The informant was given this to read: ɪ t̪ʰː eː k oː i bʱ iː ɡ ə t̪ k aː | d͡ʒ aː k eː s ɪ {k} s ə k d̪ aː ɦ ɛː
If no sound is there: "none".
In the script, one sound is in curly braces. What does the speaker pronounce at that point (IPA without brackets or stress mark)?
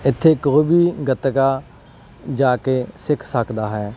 kʰ